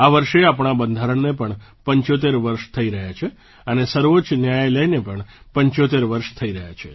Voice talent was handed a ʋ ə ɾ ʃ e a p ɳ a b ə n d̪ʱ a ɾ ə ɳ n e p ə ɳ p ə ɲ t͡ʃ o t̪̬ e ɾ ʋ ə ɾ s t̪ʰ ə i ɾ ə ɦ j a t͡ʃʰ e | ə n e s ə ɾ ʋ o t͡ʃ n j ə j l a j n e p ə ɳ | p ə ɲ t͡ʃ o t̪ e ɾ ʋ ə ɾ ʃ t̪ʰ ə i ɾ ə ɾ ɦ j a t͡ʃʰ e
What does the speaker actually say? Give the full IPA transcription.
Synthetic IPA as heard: a ʋ ə ɾ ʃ e a p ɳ a b ə n d̪ʱ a ɾ ə ɳ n e p ə ɳ p ə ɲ t͡ʃ o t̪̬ e ɾ ʋ ə ɾ ʃ t̪ʰ ə i ɾ ə ɦ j a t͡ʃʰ e | ə n e s ə ɾ ʋ o t͡ʃ n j a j l ə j n e p ə ɳ | p ə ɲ t͡ʃ o t̪ e ɾ ʋ ə ɾ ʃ t̪ʰ ə i ɾ ə ɦ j a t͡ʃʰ e